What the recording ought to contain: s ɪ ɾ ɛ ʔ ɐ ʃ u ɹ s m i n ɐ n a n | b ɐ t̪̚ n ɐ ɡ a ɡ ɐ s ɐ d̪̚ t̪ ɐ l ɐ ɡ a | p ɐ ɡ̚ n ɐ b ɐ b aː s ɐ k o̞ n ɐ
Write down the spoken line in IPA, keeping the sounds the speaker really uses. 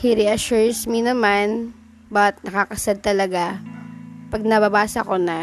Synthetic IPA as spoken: h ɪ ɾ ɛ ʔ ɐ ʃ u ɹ s m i n ɐ m a n | b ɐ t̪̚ n ɐ k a k ɐ s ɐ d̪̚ t̪ ɐ l ɐ ɡ a | p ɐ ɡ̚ n ɐ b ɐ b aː s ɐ k o̞ n ɐ